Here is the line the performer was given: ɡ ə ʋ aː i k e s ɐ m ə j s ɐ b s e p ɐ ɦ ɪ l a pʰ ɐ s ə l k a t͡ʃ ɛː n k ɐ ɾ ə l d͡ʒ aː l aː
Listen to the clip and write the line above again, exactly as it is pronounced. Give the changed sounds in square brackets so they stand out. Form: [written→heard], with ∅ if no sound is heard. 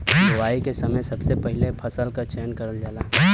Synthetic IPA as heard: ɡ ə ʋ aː i k e s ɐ m ə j s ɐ b s e p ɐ ɦ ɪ l [a→e] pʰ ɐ s ə l k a t͡ʃ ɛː n k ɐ ɾ ə l d͡ʒ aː l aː